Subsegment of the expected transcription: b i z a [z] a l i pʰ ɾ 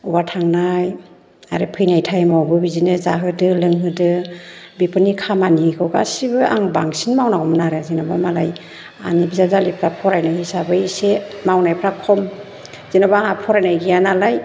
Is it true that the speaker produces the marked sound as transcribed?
yes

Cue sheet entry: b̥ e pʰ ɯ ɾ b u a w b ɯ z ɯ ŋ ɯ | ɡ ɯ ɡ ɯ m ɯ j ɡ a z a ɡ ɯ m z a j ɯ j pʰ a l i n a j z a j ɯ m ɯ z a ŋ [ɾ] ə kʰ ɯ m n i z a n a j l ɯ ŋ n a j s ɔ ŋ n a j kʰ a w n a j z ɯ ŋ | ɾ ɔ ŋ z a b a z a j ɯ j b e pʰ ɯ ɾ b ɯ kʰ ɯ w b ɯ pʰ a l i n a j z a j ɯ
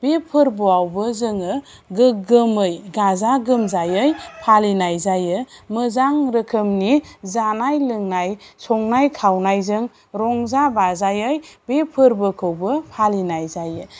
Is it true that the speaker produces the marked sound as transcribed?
yes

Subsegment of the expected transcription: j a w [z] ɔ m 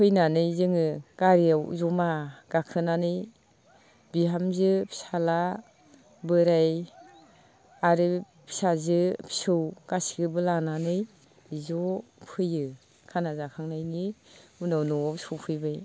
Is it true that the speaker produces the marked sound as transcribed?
yes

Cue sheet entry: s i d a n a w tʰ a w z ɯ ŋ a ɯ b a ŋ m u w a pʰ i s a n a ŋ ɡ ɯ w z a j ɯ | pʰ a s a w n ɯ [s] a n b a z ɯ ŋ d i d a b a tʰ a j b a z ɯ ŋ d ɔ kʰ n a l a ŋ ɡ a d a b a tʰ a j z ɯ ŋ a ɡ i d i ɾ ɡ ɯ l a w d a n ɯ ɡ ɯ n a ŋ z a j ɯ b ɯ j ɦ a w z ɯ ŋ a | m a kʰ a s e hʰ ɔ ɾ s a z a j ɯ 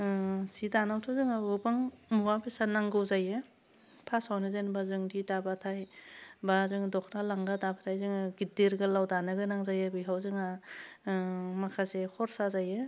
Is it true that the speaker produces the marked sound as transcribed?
no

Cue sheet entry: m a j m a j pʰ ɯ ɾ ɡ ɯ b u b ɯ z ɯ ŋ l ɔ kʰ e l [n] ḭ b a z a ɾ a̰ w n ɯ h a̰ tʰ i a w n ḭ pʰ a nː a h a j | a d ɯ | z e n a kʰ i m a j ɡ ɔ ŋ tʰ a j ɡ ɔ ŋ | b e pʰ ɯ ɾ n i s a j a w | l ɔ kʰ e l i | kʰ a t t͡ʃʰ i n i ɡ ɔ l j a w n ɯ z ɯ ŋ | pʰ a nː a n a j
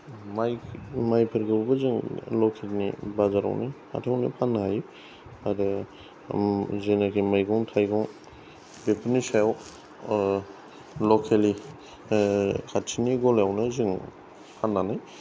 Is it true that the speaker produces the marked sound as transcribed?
yes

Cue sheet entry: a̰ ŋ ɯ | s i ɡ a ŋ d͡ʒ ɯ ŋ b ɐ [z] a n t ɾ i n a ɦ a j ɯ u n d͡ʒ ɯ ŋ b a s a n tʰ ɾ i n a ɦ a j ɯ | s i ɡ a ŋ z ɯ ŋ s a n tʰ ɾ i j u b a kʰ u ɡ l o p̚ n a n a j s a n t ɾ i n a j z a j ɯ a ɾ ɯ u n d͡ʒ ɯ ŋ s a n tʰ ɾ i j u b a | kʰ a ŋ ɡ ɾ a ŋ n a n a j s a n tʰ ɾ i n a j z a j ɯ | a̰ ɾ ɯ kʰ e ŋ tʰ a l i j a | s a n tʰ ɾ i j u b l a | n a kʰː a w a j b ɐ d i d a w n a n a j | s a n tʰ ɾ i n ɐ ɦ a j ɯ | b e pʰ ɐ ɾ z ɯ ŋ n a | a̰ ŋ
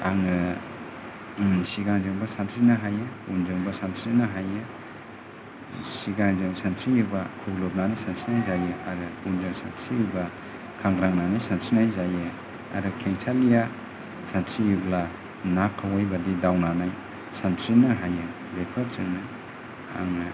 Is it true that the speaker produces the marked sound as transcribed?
no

